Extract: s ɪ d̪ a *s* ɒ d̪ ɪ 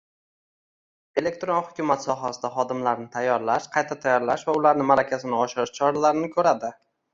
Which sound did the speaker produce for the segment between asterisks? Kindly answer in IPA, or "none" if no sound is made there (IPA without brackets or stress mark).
χ